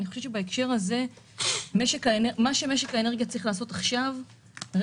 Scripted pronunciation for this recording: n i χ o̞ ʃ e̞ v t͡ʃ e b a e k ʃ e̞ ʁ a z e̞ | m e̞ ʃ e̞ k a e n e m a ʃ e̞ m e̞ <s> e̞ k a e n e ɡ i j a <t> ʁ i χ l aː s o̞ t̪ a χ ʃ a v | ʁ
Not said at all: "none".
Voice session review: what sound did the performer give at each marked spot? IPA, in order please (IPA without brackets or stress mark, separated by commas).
ʃ, t͡s